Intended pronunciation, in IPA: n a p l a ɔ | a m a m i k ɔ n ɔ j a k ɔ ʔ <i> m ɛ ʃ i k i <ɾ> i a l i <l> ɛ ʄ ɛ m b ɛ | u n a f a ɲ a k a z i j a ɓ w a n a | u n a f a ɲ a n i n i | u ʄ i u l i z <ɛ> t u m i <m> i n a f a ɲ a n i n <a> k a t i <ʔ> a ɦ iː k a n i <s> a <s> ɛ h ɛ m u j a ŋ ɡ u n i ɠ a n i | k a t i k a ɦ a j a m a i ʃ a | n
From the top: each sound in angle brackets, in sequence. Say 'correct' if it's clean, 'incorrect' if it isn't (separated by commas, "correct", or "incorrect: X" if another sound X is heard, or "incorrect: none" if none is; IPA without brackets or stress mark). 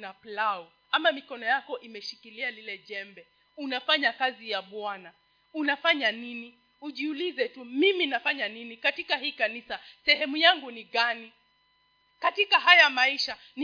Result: correct, incorrect: l, correct, correct, correct, incorrect: i, incorrect: k, correct, correct